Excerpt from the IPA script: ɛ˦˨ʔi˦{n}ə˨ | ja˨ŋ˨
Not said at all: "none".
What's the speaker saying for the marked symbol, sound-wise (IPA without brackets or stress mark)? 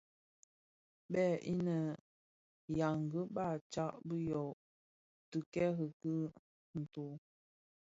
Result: n